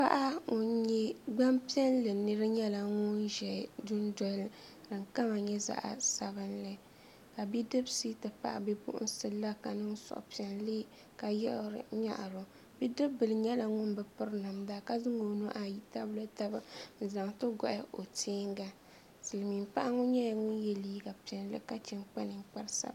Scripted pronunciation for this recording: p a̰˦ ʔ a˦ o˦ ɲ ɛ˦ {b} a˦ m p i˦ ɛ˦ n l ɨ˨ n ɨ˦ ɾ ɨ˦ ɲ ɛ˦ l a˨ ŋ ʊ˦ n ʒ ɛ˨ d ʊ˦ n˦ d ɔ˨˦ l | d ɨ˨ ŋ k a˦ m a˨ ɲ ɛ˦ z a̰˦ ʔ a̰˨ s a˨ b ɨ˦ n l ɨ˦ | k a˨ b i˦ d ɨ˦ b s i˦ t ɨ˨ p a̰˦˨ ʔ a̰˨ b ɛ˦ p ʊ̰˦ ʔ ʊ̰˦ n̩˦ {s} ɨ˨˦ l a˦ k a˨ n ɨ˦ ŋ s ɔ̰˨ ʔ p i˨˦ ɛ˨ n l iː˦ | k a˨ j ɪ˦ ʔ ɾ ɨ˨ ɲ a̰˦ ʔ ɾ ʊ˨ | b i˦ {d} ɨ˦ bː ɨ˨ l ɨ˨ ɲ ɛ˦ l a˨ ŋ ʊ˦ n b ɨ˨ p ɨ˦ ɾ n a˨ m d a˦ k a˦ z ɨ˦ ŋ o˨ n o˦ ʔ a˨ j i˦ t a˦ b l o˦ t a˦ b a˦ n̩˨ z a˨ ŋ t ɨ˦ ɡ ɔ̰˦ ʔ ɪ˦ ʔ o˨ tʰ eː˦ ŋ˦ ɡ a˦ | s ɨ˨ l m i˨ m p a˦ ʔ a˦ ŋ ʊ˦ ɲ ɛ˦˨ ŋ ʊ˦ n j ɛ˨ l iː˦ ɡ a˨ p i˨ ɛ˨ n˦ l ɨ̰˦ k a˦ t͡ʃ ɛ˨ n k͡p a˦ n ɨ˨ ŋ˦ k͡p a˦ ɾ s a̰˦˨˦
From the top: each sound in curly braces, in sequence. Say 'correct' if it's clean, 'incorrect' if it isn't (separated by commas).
incorrect, correct, correct